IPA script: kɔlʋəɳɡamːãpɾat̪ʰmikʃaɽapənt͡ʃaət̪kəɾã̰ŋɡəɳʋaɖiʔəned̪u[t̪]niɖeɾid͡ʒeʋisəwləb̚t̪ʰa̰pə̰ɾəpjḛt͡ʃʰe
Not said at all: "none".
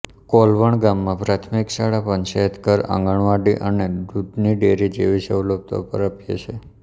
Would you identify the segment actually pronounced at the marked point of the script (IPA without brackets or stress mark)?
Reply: d̪